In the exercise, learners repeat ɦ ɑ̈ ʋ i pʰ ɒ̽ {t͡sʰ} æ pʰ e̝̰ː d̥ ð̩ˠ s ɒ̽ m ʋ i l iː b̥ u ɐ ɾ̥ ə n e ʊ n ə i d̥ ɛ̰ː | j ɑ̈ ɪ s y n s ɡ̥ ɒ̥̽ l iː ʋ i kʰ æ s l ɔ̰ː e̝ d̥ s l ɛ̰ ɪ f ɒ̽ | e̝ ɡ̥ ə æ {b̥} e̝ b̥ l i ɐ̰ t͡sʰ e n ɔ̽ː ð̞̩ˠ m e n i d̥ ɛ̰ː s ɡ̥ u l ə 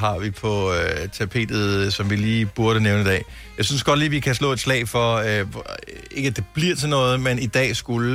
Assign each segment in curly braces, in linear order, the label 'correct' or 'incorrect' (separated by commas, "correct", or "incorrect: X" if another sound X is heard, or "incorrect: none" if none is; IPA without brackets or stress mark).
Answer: correct, incorrect: d̥